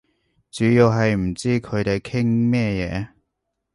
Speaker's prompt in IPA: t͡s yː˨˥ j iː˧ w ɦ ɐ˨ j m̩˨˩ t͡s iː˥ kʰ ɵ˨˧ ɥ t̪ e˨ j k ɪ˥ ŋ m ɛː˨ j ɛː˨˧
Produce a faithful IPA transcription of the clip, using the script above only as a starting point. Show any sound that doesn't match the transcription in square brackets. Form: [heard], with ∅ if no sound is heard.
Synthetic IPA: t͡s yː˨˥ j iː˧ w ɦ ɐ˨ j m̩˨˩ t͡s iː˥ kʰ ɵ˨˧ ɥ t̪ e˨ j [kʰ] ɪ˥ ŋ m [ɛː˥˧] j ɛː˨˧